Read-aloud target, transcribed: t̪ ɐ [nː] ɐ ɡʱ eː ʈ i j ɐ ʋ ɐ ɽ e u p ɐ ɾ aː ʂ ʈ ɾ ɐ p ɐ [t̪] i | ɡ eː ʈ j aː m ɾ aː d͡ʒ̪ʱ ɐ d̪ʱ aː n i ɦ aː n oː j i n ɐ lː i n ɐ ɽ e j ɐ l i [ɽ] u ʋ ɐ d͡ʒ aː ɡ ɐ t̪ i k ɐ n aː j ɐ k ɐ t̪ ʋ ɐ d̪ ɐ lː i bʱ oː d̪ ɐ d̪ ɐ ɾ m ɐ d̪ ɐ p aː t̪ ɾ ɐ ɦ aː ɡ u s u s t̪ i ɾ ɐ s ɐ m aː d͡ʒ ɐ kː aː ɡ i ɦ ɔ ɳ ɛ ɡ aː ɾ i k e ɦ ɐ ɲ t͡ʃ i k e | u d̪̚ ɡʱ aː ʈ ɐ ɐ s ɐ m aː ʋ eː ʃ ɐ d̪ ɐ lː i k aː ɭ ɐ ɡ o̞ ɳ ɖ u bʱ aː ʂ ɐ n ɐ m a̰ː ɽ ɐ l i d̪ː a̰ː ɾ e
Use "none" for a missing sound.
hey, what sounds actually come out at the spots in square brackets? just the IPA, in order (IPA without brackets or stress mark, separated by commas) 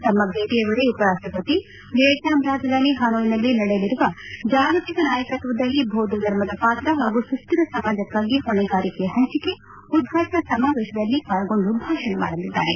mː, t̪, ɾ